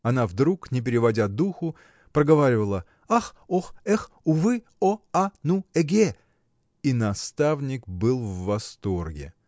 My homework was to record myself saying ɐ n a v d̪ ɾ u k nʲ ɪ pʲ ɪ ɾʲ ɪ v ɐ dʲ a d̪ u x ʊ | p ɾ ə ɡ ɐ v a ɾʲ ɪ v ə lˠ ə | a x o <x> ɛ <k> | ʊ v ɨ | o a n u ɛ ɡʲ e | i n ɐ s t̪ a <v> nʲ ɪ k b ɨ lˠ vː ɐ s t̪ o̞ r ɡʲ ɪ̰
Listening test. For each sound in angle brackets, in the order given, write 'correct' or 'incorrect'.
correct, incorrect, correct

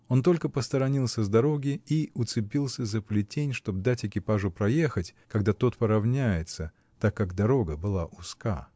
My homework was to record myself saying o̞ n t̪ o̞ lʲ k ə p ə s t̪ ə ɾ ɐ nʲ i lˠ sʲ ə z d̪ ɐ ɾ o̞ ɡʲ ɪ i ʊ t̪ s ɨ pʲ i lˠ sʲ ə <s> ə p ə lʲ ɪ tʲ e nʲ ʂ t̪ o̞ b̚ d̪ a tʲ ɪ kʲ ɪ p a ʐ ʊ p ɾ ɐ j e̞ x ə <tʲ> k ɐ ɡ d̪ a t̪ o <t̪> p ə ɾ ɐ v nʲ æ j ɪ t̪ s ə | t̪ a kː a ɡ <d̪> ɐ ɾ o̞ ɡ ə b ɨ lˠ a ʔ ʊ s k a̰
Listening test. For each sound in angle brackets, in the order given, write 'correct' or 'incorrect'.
incorrect, correct, correct, correct

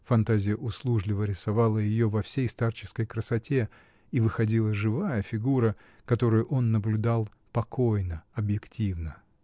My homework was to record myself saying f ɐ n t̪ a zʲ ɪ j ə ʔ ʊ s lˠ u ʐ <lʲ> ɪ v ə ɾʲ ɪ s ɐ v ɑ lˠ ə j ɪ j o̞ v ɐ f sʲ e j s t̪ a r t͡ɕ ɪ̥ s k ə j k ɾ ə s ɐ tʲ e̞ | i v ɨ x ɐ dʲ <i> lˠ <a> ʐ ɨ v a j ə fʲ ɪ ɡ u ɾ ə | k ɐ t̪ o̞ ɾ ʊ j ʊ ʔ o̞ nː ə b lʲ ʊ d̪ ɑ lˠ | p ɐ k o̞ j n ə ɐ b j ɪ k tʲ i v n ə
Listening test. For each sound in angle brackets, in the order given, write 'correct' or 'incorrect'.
correct, correct, incorrect

